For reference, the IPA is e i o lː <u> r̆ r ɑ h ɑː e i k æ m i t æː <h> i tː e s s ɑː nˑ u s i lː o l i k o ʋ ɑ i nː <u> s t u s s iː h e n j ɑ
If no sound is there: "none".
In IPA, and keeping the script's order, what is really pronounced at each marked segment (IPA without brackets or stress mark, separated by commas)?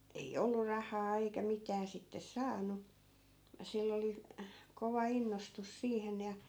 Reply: u, s, o